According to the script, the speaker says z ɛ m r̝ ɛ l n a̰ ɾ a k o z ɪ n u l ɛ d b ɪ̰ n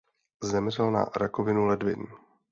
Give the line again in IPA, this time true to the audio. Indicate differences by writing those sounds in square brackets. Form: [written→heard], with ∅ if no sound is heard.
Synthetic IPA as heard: z ɛ m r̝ ɛ l n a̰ ɾ a k o [z→v] ɪ n u l ɛ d [b→v] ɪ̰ n